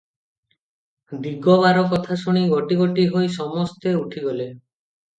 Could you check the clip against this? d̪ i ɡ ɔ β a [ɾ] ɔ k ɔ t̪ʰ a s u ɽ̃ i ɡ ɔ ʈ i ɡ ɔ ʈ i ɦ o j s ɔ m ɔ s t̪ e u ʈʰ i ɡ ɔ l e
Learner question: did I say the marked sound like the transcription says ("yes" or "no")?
yes